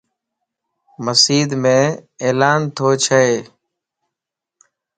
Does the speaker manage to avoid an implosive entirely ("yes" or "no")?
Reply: yes